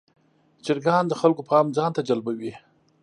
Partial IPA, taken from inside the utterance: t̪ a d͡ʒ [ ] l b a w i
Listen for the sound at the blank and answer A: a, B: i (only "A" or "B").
A